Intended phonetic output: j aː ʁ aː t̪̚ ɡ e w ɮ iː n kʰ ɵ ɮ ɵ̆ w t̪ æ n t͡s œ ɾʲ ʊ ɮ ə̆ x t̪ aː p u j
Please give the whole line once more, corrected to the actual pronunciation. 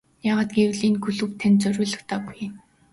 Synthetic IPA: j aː ʁ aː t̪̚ ɡ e w ɮ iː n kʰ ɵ ɮ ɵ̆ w t̪ʰ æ n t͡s œ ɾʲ ʊː ɮ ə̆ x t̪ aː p u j